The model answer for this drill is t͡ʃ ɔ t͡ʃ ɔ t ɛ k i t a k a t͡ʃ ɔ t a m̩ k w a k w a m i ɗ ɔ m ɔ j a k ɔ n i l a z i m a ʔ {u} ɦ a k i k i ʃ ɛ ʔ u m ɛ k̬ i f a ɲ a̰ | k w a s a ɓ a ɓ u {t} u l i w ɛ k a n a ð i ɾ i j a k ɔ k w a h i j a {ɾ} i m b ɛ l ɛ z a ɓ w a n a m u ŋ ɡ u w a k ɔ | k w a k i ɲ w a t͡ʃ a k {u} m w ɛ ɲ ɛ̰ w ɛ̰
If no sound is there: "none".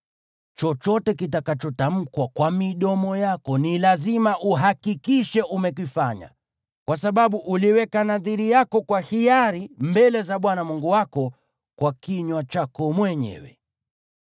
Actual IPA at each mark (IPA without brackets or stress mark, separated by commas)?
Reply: u, ʔ, ɾ, ɔ